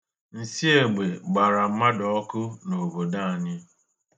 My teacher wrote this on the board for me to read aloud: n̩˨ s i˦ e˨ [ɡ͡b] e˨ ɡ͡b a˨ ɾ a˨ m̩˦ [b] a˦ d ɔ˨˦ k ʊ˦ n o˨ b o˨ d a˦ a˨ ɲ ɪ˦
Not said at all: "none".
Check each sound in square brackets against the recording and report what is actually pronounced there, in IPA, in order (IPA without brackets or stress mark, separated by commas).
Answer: ɡ͡b, m